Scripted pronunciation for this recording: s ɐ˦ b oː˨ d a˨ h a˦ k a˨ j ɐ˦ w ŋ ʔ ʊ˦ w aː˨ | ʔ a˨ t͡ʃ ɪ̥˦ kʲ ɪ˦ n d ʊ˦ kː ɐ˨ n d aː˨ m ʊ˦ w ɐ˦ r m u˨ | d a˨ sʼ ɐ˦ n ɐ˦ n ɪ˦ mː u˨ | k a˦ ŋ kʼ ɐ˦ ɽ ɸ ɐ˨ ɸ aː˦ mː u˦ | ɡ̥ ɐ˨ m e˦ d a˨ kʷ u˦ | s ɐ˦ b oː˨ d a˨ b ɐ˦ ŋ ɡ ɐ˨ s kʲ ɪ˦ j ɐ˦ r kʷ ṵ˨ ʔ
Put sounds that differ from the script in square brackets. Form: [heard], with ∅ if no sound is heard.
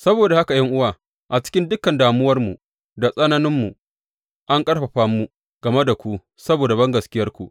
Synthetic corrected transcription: s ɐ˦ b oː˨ d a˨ h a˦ k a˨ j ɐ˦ [∅] ŋ ʔ ʊ˦ w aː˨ | ʔ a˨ t͡ʃ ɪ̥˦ kʲ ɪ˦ n d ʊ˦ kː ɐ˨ n d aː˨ m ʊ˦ w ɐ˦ r m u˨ | d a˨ sʼ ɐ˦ n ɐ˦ n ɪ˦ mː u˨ | [ʔ] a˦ ŋ kʼ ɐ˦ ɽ ɸ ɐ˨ ɸ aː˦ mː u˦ | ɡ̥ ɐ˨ m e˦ d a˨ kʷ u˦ | s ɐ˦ b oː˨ d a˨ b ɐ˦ ŋ ɡ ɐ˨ s kʲ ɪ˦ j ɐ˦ r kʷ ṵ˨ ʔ